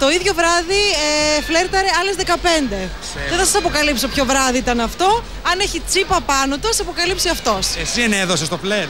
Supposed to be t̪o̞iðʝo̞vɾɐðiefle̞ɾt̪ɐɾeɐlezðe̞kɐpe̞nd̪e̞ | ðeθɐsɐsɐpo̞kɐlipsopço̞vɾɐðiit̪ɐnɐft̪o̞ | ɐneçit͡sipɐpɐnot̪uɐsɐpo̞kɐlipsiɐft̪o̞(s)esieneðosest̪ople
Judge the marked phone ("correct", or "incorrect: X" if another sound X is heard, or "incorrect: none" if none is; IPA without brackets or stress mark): correct